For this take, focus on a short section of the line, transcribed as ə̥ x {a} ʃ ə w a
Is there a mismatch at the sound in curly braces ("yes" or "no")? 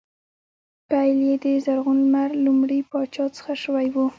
no